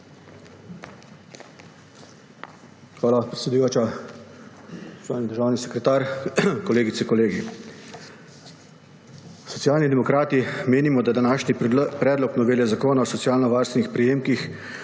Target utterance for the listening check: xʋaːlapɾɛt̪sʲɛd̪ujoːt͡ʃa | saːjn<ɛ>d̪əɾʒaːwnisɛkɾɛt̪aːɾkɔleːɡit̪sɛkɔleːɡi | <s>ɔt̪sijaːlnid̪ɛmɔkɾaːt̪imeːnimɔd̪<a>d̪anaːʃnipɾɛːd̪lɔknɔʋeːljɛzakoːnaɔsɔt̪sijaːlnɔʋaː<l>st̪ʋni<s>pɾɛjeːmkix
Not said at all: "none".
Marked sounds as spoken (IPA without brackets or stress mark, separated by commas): i, s, a, ɾ, x